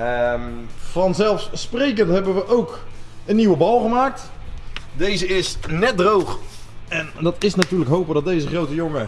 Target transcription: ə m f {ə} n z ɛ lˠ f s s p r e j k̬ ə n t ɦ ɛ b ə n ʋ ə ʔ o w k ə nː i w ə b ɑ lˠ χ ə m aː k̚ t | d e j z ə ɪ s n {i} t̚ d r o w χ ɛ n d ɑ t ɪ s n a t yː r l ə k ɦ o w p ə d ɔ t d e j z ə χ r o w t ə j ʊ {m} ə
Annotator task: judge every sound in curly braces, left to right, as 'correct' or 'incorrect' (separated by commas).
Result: incorrect, incorrect, incorrect